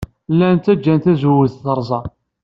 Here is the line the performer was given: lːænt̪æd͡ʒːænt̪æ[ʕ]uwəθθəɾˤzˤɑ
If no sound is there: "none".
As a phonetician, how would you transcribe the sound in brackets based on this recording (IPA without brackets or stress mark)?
z